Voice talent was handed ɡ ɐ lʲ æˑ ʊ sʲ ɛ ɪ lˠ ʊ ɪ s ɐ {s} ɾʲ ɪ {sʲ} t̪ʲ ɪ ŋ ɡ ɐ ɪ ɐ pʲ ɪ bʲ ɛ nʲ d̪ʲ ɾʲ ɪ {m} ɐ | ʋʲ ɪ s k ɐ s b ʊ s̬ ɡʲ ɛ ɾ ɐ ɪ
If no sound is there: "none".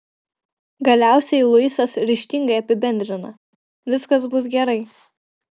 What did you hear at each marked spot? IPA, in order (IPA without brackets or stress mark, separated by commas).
s, ʃʲ, n